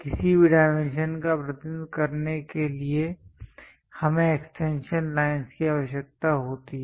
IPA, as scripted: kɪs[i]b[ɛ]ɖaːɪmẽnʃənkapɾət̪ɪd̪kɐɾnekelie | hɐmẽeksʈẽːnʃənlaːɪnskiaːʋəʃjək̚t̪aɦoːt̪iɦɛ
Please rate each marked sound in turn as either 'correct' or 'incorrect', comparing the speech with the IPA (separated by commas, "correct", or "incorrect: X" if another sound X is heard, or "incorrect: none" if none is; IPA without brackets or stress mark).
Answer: correct, incorrect: i